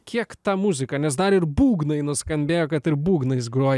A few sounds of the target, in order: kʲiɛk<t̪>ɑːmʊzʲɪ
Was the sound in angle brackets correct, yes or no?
yes